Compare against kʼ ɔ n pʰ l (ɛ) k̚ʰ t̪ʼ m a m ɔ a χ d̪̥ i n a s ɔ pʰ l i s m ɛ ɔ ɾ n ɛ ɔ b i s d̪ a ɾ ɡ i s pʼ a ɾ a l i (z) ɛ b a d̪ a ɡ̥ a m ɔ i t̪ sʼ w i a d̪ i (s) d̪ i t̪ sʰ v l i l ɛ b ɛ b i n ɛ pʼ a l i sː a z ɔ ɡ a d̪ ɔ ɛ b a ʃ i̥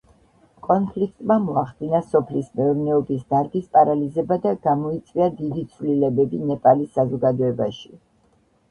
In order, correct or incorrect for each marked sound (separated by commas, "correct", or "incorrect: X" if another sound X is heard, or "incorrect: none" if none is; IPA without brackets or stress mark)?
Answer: incorrect: i, correct, incorrect: none